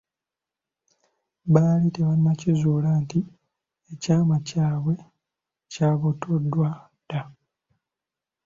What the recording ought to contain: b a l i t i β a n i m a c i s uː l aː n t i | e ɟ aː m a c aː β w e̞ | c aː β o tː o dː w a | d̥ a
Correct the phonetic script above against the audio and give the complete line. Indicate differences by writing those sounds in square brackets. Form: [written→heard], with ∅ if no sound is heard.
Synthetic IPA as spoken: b a l i t [i→e] β a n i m a c i [s→z] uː l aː n t i | e [ɟ→c] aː m a c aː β w e̞ | c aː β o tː o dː w a | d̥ a

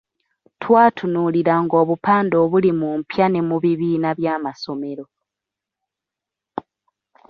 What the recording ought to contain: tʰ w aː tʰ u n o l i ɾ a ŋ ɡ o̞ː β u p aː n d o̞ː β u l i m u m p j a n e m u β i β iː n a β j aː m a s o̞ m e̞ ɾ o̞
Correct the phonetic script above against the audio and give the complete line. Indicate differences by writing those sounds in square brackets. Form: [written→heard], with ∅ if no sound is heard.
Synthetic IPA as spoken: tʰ w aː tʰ u n [o→u] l i ɾ a ŋ ɡ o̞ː β u p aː n d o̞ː β u l i m u m p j a n e m u β i β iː n a β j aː m a s o̞ m e̞ ɾ o̞

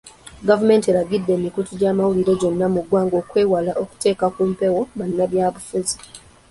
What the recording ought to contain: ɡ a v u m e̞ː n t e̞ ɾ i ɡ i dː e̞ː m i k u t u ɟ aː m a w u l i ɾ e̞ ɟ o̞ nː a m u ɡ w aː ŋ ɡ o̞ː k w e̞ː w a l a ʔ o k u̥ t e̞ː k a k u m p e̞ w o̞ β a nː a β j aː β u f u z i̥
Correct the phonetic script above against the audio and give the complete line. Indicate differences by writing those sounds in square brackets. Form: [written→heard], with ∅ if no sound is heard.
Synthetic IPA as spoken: ɡ a v u m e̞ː n t e̞ ɾ [i→a] ɡ i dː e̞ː m i k u t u ɟ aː m a w u l i ɾ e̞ ɟ o̞ nː a m u ɡ w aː ŋ ɡ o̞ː k w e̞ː w a l a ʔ o k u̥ t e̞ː k a k u m p e̞ w o̞ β a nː a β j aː β u f u z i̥

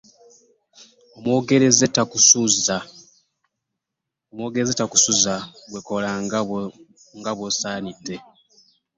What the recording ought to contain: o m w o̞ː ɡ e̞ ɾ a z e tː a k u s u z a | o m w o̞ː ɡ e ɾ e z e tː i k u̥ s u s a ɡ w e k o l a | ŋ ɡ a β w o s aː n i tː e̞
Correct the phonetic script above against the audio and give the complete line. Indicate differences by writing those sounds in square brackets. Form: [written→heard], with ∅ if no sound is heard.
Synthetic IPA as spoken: o m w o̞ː ɡ e̞ ɾ [a→e] z e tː a k u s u z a | o m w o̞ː ɡ e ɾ e z e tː [i→a] k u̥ s u [s→z] a ɡ w e k o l a | ŋ ɡ a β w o s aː n i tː e̞

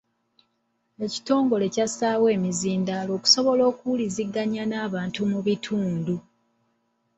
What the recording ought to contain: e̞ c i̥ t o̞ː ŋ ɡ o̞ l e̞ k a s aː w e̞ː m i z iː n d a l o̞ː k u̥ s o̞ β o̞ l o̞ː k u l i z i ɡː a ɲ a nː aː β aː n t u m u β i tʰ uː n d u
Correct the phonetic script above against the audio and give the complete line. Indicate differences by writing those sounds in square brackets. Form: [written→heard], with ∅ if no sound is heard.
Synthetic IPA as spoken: e̞ c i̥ t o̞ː ŋ ɡ o̞ l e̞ [k→c] a s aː w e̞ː m i z iː n d a l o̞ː k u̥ s o̞ β o̞ l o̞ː k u l i z i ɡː a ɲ a [nː→n] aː β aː n t u m u β i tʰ uː n d u

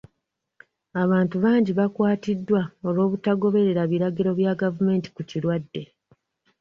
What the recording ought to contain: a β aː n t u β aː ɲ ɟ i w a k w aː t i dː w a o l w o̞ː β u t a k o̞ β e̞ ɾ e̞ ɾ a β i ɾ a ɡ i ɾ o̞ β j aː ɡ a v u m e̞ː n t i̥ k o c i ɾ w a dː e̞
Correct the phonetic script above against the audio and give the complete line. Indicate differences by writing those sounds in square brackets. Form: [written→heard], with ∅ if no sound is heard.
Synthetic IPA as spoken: a β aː n t u β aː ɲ ɟ i [w→β] a k w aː t i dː w a o l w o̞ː β u t a [k→ɡ] o̞ β e̞ ɾ e̞ ɾ a β i ɾ a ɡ i ɾ o̞ β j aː ɡ a v u m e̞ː n t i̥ k [o→u] c i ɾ w a dː e̞

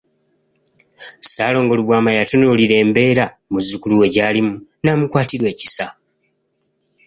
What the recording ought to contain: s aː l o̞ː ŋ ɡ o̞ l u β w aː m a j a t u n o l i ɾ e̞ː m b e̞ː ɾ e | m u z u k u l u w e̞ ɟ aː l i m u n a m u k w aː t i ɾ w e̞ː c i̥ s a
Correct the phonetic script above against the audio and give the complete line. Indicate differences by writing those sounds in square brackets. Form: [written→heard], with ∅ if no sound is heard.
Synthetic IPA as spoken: s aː l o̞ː ŋ ɡ o̞ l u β w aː m a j a t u n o l i ɾ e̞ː m b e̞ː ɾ [e→a] | m u z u k u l u w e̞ ɟ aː l i m u n a m u k w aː t i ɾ w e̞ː c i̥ s a

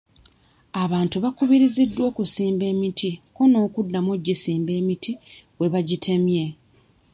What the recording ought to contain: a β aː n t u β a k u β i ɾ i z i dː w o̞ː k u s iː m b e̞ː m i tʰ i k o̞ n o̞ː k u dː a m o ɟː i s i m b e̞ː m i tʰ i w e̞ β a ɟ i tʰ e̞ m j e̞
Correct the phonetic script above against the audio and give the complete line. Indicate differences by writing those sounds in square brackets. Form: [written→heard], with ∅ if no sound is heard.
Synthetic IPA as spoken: a β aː n t u β a k u β i ɾ i z i dː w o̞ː k u s iː m b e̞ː m i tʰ i k o̞ n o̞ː k u dː a m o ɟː i s [i→iː] m b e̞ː m i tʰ i w e̞ β a ɟ i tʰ e̞ m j e̞

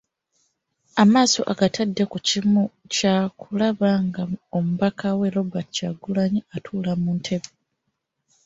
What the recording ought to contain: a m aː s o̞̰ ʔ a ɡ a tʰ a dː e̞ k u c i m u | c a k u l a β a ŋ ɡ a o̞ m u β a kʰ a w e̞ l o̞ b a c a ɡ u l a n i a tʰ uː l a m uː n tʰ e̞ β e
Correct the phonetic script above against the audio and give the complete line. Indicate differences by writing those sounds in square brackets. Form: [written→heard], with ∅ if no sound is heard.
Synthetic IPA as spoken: a m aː s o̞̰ ʔ a ɡ a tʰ a dː e̞ k u c i m u | c a k u l a β a ŋ ɡ a o̞ m u β a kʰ a w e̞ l o̞ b a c a ɡ u l a [n→ɲ] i a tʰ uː l a m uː n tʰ e̞ β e

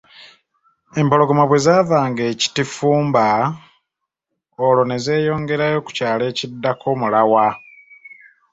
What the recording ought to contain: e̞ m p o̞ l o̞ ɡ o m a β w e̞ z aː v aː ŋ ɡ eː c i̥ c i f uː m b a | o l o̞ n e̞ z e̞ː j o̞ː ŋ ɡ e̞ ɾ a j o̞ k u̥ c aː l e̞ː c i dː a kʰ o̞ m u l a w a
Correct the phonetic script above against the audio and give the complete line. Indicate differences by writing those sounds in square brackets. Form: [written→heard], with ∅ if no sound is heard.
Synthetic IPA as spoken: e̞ m p o̞ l o̞ ɡ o m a β w e̞ z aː v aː ŋ ɡ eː c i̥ [c→t] i f uː m b a | o l o̞ n e̞ z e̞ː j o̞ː ŋ ɡ e̞ ɾ a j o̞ k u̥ c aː l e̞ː c i dː a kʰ o̞ m u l a w a

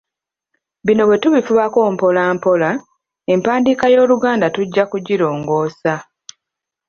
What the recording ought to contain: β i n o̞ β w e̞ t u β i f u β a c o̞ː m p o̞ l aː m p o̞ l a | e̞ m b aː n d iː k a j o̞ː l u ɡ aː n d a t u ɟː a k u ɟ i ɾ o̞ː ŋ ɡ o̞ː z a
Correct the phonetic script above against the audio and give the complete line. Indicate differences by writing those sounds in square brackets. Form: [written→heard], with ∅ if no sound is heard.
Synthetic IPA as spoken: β i n o̞ β w e̞ t u β i f u β a [c→k] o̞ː m p o̞ l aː m p o̞ l a | e̞ m [b→p] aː n d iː k a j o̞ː l u ɡ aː n d a t u ɟː a k u ɟ i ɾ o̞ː ŋ ɡ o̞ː [z→s] a

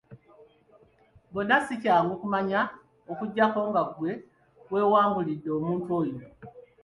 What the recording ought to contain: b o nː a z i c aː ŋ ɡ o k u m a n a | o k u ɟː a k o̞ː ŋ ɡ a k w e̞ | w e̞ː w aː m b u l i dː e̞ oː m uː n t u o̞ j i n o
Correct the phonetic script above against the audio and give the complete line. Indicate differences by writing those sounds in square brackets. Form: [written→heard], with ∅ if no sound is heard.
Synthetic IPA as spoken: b o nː a [z→s] i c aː ŋ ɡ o k u m a [n→ɲ] a | o k u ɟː a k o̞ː ŋ ɡ a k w e̞ | w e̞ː w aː m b u l i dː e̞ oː m uː n t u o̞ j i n o

